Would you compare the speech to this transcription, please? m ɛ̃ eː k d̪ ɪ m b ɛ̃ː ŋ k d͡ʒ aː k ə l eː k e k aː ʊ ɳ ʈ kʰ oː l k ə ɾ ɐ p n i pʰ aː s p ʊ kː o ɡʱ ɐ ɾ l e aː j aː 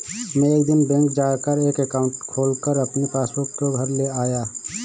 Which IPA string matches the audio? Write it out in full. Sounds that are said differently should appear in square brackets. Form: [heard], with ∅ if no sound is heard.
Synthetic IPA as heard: m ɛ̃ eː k d̪ ɪ [n] b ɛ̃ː ŋ k d͡ʒ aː k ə [ɾ] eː k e k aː ʊ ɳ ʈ kʰ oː l k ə ɾ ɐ p n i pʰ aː s [b] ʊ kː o ɡʱ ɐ ɾ l e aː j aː